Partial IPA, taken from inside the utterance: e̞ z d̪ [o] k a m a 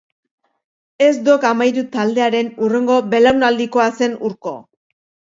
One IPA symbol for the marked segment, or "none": o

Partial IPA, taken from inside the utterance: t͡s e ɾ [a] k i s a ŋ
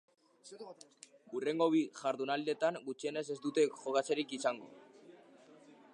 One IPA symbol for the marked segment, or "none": i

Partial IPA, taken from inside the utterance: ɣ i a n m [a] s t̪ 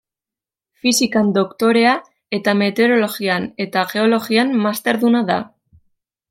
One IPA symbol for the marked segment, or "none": a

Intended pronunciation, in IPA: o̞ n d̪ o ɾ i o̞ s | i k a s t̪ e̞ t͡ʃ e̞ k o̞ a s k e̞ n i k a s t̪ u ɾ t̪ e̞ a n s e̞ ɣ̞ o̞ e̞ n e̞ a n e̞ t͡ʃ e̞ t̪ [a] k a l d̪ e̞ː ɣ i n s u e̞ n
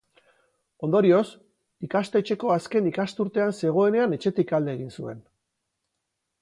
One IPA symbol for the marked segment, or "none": i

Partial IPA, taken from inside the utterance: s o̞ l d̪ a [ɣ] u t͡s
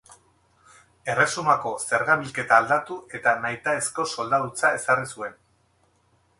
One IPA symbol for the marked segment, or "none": ð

